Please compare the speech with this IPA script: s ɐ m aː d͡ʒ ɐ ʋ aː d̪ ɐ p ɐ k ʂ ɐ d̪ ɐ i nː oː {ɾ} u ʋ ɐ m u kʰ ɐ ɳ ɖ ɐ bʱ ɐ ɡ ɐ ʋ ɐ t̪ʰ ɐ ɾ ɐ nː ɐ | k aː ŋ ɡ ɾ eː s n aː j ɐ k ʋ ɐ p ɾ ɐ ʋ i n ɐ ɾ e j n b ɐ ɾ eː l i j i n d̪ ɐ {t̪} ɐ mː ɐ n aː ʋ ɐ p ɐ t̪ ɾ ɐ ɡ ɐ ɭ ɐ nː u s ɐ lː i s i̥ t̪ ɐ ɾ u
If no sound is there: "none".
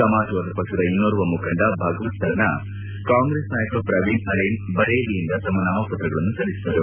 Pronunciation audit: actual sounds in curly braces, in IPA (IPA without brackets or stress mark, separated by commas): ɾ, t̪